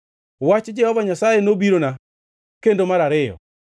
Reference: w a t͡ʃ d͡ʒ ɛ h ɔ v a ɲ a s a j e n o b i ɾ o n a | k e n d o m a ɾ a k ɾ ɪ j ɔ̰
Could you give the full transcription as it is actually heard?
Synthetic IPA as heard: w a t͡ʃ d͡ʒ ɛ h ɔ v a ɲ a s a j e n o b i ɾ o n a | k e n d o m a ɾ a ɾ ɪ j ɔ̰